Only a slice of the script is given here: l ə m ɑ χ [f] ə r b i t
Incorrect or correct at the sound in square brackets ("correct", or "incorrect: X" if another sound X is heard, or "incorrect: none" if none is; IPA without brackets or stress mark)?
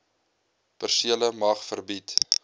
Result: correct